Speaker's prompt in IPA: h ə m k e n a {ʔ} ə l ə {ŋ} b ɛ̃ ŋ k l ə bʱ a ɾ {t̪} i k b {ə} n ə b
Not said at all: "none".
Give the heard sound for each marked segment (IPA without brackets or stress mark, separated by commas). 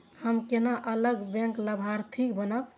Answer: ʔ, ɡ, t̪ʰ, ə